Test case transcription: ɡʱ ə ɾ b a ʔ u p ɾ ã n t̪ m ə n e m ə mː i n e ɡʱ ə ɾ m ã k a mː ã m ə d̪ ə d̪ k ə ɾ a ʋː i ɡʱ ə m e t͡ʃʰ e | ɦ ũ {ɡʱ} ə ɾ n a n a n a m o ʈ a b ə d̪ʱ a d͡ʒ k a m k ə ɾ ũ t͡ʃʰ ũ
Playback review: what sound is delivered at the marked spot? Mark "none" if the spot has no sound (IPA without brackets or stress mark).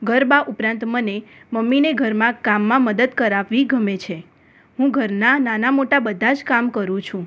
ɡʱ